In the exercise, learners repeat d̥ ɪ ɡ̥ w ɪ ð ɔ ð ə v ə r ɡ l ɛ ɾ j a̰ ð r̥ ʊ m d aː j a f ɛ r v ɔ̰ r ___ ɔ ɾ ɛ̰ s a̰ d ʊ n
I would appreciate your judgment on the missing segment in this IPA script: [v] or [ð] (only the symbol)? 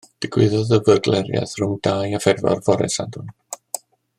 v